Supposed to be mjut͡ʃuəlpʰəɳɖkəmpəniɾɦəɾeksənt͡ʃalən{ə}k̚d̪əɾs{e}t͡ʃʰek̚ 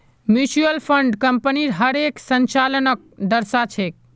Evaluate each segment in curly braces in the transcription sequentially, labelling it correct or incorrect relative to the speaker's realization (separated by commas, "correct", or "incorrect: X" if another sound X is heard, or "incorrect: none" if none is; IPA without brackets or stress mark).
correct, incorrect: a